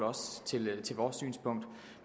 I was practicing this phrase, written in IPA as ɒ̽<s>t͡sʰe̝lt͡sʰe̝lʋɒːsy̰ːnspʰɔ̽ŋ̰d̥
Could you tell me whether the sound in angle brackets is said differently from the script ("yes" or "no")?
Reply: no